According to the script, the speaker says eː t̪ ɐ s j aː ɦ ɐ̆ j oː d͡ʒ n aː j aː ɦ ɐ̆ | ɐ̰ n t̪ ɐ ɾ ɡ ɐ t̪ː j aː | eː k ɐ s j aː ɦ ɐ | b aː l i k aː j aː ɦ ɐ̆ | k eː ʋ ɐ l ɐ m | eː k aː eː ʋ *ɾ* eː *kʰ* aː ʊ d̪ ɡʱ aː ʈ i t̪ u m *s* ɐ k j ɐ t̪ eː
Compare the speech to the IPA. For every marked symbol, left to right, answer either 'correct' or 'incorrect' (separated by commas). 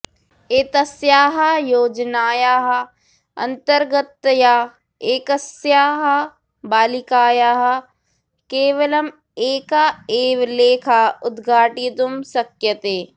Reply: incorrect, correct, correct